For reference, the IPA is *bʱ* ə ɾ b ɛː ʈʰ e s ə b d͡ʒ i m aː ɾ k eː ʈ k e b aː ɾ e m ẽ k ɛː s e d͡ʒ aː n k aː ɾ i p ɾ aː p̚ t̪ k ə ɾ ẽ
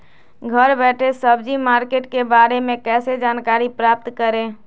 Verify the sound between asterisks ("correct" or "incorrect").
incorrect